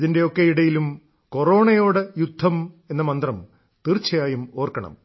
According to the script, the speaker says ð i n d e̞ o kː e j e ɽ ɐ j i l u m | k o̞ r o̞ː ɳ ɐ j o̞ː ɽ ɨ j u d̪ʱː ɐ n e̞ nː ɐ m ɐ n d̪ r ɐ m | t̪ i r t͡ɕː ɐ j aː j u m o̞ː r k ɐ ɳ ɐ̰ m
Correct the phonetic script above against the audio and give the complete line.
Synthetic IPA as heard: ð i n d e̞ o kː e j i ɽ ɐ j i l u m | k o̞ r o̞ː ɳ ɐ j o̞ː ɽ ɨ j u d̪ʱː ɐ m e̞ nː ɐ m ɐ n d̪ r ɐ m | t̪ i r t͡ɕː ɐ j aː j u m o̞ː r k ɐ ɳ ɐ̰ m